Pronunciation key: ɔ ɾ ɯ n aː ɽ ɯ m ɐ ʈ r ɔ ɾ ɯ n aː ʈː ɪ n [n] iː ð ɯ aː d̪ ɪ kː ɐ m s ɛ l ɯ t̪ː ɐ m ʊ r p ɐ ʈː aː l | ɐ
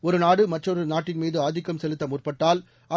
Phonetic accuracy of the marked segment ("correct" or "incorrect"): incorrect